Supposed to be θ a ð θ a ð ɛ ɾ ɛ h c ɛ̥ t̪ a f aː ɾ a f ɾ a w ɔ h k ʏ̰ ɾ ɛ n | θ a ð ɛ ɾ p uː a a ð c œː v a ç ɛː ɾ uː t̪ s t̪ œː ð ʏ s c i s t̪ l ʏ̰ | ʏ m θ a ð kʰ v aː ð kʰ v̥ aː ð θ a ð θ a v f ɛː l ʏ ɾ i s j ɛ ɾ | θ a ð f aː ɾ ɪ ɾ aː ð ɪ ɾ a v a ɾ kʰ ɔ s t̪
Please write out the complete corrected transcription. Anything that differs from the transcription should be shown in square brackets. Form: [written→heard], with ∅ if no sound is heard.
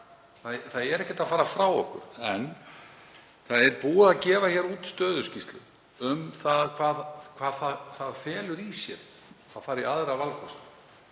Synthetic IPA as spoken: θ a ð θ a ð ɛ ɾ ɛ h c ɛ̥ t̪ a f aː ɾ a f ɾ a w ɔ h k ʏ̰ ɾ ɛ n | θ a ð ɛ ɾ p uː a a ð c [œː→ɛː] v a ç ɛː ɾ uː t̪ s t̪ œː ð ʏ s c i s t̪ l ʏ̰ | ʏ m θ a ð kʰ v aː ð kʰ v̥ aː ð θ a ð θ a [v→ð] f ɛː l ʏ ɾ i s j ɛ ɾ | θ a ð f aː ɾ ɪ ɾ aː ð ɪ ɾ a v a [ɾ→l] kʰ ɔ s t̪

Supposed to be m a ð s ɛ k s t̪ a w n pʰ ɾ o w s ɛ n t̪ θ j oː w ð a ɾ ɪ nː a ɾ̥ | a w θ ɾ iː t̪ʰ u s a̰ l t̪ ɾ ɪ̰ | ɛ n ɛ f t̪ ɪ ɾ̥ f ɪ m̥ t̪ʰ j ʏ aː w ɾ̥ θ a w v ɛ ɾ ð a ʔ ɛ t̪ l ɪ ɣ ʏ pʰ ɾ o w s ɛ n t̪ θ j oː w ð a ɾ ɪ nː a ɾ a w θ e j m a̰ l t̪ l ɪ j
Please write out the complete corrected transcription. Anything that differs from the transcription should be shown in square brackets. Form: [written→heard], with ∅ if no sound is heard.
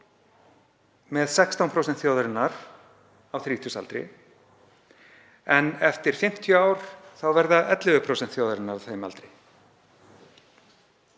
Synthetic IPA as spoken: m [a→ɛ] ð s ɛ k s t̪ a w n pʰ ɾ o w s ɛ n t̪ θ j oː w ð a ɾ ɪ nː a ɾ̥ | a w θ ɾ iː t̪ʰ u s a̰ l t̪ ɾ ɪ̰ | ɛ n ɛ f t̪ ɪ ɾ̥ f ɪ m̥ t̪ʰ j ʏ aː w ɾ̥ θ a w v ɛ ɾ ð a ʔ ɛ t̪ l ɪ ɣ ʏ pʰ ɾ o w s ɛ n t̪ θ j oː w ð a ɾ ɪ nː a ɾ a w θ e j m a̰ l t̪ [l→ɾ] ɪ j

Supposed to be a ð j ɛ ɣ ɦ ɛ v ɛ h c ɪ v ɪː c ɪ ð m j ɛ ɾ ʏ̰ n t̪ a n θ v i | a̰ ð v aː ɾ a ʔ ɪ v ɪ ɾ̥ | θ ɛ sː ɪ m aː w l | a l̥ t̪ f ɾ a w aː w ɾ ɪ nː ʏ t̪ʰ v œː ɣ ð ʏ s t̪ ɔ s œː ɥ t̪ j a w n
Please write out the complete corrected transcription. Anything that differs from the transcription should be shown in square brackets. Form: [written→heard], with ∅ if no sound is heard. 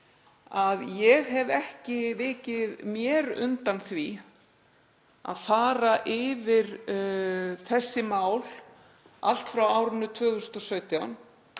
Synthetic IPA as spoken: a ð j ɛ ɣ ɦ ɛ v ɛ h c ɪ v ɪː c ɪ ð m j ɛ ɾ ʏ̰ n t̪ a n θ v i | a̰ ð [v→f] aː ɾ a ʔ ɪ v ɪ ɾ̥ | θ ɛ sː ɪ m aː w l | a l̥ t̪ f ɾ a w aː w ɾ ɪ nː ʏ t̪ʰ v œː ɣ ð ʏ s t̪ ɔ s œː ɥ t̪ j a w n

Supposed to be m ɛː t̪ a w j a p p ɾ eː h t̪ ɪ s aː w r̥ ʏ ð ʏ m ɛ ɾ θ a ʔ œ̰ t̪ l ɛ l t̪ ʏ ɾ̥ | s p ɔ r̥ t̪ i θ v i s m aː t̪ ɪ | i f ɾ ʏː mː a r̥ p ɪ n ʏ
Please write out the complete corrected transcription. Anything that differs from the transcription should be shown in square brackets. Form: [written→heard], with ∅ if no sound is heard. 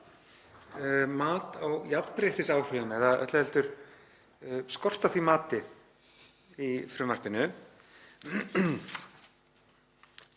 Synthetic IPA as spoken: m [ɛː→aː] t̪ a w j a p p ɾ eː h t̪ ɪ s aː w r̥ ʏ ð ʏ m ɛ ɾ [θ→ð] a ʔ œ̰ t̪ l ɛ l t̪ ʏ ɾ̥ | s [p→k] ɔ r̥ t̪ [i→a] θ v i [s→∅] m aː t̪ ɪ | i f ɾ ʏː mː a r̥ p ɪ n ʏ

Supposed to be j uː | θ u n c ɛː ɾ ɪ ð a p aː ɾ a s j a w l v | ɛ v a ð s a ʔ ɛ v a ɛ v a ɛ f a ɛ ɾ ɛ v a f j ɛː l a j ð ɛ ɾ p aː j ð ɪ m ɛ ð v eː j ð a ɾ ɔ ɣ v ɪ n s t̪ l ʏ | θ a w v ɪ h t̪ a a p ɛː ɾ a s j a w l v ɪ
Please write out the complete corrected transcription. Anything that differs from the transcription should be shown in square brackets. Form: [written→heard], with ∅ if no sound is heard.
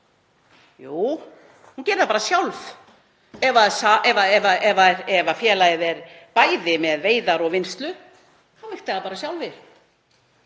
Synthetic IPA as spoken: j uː | [θ→h] u n c ɛː ɾ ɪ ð a p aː ɾ a s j a w l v | ɛ v a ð s a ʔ ɛ v a ɛ v a ɛ [f→v] a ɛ ɾ ɛ v a f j ɛː l a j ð ɛ ɾ p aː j ð ɪ m ɛ ð v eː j ð a ɾ ɔ ɣ v ɪ n s t̪ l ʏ | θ a w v ɪ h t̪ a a p [ɛː→aː] ɾ a s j a w l v ɪ

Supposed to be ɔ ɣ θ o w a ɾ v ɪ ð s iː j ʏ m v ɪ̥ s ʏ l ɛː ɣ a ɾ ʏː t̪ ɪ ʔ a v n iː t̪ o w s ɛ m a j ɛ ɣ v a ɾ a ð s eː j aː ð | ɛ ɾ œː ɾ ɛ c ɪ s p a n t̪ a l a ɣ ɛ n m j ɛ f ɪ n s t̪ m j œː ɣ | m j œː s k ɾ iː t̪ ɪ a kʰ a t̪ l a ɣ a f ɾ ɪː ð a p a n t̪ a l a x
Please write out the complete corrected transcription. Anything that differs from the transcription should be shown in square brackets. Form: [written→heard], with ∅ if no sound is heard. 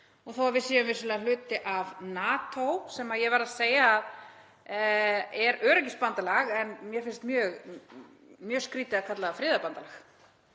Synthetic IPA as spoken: ɔ ɣ θ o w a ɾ v ɪ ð s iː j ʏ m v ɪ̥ s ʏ l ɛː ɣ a [ɾ→l] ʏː t̪ ɪ ʔ a v n [iː→aː] t̪ o w s ɛ m a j ɛ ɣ v a ɾ a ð s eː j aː ð | ɛ ɾ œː ɾ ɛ c ɪ s p a n t̪ a l a ɣ ɛ n m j ɛ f ɪ n s t̪ m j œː ɣ | m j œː s k ɾ iː t̪ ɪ a kʰ a t̪ l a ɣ a f ɾ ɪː ð a p a n t̪ a l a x

